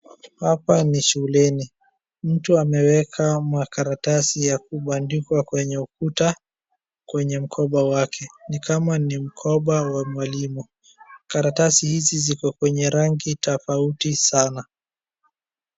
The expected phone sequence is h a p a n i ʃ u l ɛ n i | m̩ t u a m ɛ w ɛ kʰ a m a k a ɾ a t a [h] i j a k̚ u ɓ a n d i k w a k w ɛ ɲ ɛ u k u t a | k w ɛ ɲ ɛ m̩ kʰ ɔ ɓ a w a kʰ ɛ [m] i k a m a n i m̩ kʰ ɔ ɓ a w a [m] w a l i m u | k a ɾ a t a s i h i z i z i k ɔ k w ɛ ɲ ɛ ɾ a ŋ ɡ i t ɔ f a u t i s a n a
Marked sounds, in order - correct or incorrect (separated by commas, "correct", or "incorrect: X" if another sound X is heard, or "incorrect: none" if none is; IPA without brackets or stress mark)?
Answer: incorrect: s, incorrect: n, correct